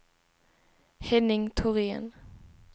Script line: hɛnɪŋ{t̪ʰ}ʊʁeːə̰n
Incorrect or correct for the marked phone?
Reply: correct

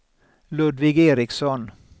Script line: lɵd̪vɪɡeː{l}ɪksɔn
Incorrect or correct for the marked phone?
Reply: incorrect: ɾ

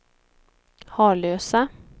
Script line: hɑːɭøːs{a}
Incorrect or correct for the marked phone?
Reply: correct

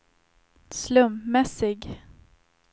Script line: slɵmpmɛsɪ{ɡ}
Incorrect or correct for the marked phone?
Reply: correct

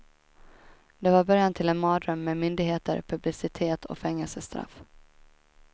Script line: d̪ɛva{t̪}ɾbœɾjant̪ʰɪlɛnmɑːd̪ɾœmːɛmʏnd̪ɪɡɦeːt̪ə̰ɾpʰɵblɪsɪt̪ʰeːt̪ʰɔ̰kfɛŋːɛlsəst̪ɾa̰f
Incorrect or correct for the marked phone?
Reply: incorrect: none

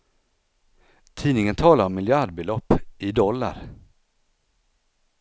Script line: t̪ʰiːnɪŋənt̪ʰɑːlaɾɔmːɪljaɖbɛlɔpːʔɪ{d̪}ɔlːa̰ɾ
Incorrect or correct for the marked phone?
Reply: correct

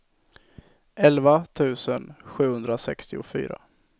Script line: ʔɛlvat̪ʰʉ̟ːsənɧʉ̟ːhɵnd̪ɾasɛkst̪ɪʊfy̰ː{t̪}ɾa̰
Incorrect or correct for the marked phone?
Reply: incorrect: none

